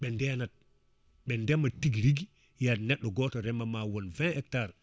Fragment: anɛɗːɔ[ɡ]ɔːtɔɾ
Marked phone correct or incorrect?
correct